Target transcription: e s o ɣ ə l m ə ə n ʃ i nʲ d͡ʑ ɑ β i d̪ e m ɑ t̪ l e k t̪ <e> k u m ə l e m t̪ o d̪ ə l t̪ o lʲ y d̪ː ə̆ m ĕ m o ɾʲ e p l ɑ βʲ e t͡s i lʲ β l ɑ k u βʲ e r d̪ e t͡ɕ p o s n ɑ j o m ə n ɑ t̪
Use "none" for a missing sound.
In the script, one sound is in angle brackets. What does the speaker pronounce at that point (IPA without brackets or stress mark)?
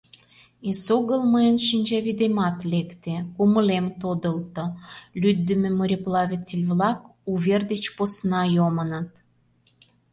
e